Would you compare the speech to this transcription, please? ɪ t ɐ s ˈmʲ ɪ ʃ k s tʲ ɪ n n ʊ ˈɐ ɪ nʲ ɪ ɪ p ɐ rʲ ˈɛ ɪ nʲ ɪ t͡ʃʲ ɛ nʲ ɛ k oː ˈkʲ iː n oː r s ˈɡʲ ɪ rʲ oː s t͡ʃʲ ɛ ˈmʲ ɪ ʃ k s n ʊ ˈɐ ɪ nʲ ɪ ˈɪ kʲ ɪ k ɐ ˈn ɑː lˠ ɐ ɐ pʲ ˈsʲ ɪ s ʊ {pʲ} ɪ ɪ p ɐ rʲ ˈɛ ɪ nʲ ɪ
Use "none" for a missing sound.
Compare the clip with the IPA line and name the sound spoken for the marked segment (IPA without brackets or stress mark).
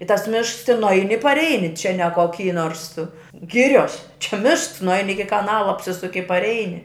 kʲ